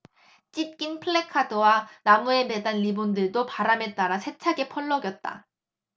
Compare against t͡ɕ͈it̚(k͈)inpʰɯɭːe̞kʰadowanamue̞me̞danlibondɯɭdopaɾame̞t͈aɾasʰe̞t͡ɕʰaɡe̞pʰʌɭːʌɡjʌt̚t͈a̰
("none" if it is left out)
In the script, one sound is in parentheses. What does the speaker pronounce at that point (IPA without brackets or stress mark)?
k͈